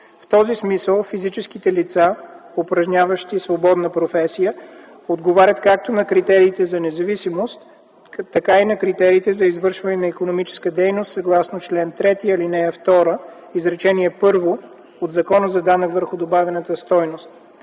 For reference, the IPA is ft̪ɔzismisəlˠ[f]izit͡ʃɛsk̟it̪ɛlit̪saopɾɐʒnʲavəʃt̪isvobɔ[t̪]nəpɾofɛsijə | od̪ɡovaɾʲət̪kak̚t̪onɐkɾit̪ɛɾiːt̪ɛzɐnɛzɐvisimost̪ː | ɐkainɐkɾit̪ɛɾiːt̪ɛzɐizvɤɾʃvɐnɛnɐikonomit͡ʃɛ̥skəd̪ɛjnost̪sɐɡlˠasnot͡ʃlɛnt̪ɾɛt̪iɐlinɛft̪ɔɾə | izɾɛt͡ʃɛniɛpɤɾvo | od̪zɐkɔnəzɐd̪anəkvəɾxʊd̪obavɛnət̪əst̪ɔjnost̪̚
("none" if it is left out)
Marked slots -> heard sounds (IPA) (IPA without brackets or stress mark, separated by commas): f, d̪